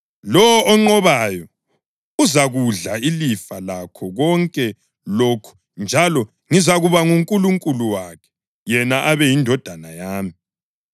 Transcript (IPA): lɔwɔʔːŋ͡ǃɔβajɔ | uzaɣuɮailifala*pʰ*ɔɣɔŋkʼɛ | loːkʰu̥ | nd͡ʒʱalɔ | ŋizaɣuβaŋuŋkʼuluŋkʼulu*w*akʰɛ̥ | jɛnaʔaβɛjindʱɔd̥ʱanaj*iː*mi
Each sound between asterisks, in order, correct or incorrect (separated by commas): incorrect, correct, incorrect